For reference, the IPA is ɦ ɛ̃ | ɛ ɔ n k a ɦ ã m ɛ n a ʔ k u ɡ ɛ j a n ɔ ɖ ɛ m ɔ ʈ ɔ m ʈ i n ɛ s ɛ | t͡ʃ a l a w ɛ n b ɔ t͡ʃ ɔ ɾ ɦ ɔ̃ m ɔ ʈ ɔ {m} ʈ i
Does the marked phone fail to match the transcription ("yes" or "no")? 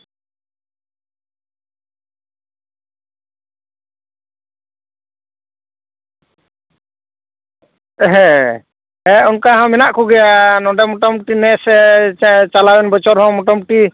no